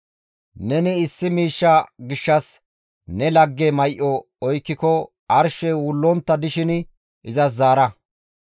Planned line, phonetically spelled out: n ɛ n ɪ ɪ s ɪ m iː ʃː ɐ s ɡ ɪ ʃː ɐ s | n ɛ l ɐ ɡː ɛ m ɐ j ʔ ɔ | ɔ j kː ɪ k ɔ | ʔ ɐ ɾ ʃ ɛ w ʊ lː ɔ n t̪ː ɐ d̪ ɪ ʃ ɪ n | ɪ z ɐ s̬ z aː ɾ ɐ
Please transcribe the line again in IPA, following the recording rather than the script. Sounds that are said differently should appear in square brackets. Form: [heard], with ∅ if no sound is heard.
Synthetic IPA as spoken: n ɛ n ɪ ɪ [sː] ɪ m iː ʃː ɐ [∅] ɡ ɪ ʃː ɐ s | n ɛ l ɐ ɡː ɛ m ɐ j ʔ ɔ | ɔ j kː ɪ k ɔ | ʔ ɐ ɾ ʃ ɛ w ʊ lː ɔ n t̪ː ɐ d̪ ɪ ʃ ɪ n | ɪ z ɐ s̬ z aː ɾ ɐ